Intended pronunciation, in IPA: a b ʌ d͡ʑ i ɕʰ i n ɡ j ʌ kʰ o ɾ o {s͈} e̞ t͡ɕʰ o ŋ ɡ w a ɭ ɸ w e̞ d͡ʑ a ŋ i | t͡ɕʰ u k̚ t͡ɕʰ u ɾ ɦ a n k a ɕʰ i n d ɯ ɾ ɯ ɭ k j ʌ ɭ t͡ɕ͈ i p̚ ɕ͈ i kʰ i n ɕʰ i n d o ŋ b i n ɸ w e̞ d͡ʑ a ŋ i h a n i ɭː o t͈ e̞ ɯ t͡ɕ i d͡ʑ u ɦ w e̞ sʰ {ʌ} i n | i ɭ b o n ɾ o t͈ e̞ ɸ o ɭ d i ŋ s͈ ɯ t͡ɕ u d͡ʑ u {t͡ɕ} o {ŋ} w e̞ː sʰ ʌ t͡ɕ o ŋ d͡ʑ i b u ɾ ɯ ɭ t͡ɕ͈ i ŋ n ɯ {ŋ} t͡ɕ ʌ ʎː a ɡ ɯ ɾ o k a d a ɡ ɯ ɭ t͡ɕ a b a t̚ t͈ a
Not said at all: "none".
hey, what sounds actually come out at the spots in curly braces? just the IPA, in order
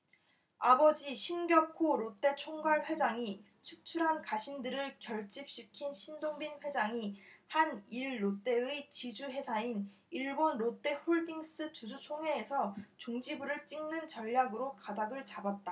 t͈, a, t͡ɕʰ, ŋ, n

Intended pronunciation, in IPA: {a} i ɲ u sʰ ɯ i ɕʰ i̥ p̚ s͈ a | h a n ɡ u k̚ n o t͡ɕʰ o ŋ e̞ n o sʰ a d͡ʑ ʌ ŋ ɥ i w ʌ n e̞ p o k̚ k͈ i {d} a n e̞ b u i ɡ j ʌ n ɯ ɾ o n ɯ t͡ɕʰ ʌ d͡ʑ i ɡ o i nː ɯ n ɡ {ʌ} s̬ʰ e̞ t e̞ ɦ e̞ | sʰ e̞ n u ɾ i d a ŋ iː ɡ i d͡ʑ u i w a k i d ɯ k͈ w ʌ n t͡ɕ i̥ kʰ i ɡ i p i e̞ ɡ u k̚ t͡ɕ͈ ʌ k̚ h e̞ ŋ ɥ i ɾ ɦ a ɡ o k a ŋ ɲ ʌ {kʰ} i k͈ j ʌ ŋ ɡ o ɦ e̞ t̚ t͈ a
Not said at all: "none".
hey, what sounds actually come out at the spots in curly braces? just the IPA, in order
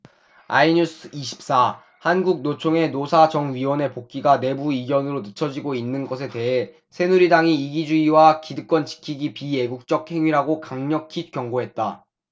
a, ɡ, ʌ, kʰ

